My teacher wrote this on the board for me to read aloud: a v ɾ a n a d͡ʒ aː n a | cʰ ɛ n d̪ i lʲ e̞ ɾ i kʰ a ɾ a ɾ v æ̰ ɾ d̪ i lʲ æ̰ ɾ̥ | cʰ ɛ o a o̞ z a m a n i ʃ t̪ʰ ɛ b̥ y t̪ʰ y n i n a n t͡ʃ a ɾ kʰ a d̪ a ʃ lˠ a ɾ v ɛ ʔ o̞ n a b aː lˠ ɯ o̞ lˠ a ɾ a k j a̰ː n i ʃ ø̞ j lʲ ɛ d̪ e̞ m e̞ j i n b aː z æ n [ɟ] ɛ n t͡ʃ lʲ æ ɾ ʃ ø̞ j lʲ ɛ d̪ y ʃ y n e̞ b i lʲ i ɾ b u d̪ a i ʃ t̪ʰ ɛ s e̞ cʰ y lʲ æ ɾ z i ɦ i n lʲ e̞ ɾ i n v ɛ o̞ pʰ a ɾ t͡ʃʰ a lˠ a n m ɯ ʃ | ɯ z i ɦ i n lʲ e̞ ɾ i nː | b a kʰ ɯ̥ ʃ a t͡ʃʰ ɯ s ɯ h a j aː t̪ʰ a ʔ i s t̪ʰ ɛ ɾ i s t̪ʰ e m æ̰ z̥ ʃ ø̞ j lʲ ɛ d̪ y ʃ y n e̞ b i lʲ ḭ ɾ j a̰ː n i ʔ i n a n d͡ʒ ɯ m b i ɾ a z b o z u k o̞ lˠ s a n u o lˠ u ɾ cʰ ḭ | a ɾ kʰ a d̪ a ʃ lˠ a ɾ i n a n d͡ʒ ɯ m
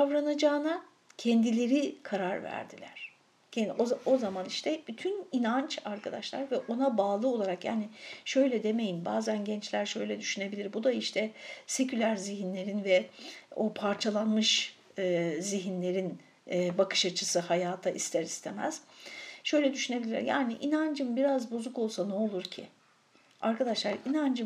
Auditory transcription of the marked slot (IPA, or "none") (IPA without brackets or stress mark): ɟ